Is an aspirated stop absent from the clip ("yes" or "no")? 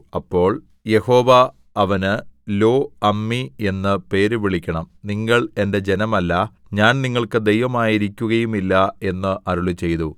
yes